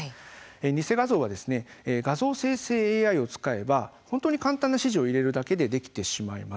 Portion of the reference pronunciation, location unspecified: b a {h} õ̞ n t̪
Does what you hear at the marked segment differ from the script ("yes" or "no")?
no